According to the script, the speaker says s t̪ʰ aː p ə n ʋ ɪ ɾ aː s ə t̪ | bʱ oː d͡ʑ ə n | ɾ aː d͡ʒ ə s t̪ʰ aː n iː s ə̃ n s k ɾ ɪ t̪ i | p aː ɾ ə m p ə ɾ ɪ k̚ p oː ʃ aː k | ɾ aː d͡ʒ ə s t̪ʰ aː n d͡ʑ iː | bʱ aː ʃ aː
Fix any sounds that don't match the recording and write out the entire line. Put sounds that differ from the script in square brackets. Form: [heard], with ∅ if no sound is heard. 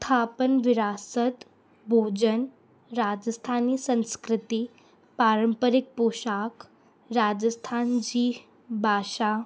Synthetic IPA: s t̪ʰ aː p ə n ʋ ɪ ɾ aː s ə t̪ | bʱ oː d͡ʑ ə n | ɾ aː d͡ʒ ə s t̪ʰ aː n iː s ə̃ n s k ɾ ɪ t̪ i | p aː ɾ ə m p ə ɾ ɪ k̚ p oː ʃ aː k | ɾ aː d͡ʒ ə s t̪ʰ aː n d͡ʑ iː | bʱ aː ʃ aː

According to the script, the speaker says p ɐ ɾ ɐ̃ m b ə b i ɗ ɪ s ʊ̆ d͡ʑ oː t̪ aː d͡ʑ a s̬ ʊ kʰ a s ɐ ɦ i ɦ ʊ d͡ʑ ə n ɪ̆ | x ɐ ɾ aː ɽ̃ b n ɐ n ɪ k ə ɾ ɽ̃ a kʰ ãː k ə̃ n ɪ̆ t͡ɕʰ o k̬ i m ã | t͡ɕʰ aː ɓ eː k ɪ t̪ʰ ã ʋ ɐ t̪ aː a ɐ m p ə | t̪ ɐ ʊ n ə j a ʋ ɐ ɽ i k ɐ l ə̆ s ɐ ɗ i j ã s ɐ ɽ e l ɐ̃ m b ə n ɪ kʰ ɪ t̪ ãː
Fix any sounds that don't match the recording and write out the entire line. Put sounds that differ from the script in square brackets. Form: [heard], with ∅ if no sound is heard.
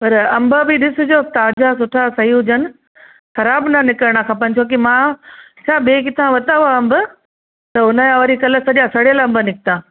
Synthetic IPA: p ɐ ɾ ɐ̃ m b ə b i ɗ ɪ s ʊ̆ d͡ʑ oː t̪ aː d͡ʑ a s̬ ʊ [ʈʰ] a s ɐ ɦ i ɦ ʊ d͡ʑ ə n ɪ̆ | x ɐ ɾ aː [∅] b n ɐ n ɪ k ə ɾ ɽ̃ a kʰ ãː [p] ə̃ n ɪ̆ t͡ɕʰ o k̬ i m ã | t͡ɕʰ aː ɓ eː k ɪ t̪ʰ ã ʋ ɐ t̪ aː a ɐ m [b] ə | t̪ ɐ ʊ n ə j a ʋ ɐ [ɾ] i k ɐ l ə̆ s ɐ ɗ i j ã s ɐ ɽ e l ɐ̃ m b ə n ɪ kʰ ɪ t̪ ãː

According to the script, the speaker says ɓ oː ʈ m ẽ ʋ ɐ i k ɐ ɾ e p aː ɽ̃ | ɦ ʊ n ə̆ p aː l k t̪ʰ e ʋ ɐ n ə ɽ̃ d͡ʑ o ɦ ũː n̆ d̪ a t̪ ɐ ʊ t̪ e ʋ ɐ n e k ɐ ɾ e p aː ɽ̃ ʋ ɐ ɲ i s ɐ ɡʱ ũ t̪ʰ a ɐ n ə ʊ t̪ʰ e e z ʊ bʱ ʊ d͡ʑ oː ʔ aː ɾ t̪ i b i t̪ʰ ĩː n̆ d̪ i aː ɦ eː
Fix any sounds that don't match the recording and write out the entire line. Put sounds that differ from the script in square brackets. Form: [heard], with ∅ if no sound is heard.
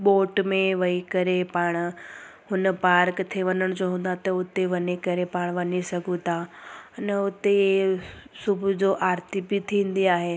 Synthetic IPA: ɓ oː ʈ m ẽ ʋ ɐ i k ɐ ɾ e p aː ɽ̃ | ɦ ʊ n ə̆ p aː [ɾ] k t̪ʰ e ʋ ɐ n ə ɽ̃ d͡ʑ o ɦ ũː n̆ d̪ a t̪ ɐ ʊ t̪ e ʋ ɐ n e k ɐ ɾ e p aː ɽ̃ ʋ ɐ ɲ i s ɐ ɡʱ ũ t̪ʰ a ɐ n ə ʊ [t̪] e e [s] ʊ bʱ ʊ d͡ʑ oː ʔ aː ɾ t̪ i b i t̪ʰ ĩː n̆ d̪ i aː ɦ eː

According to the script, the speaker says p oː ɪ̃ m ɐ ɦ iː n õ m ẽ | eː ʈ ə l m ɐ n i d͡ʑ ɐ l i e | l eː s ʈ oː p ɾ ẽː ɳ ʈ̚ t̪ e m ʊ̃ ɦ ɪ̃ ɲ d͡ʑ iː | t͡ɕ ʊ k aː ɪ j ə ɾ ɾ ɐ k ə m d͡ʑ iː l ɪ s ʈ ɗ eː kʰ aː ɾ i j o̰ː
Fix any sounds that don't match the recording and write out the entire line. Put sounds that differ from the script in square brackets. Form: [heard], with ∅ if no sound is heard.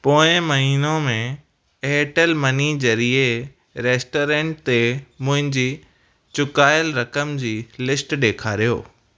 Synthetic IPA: p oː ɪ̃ m ɐ ɦ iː n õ m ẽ | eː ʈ ə l m ɐ n i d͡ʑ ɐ [ɾ] i e | [ɾ] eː s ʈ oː [∅] ɾ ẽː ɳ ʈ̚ t̪ e m ʊ̃ ɦ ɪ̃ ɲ d͡ʑ iː | t͡ɕ ʊ k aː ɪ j ə [l] ɾ ɐ k ə m d͡ʑ iː l ɪ s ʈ ɗ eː kʰ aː ɾ i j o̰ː

